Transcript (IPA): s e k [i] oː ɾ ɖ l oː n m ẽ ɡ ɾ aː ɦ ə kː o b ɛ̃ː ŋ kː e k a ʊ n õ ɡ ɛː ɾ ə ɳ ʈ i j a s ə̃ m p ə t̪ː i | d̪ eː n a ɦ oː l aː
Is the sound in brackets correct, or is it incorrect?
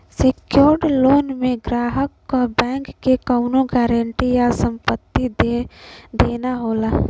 incorrect: j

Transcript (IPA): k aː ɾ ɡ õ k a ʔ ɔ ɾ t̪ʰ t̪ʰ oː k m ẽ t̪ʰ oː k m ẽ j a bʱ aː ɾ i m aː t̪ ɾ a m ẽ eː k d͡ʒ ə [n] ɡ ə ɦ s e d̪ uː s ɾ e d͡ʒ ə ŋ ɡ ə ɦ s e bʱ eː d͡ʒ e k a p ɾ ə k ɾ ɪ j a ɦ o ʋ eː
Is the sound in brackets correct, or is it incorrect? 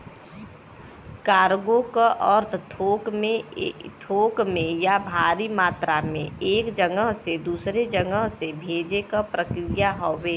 incorrect: ŋ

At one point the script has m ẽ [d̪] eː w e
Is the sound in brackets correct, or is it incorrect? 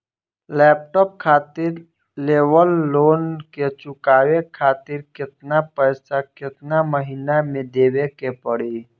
correct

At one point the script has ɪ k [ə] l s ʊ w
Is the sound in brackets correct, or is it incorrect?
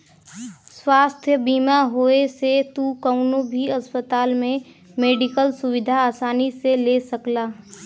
correct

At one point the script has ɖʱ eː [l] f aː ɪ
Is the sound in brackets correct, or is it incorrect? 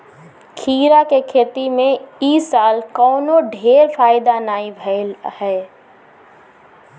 incorrect: ɾ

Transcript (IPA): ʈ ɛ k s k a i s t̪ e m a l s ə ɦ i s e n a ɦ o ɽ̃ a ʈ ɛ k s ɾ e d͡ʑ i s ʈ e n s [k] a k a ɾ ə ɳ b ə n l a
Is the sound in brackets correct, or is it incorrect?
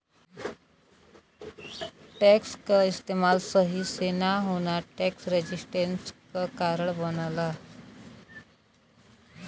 correct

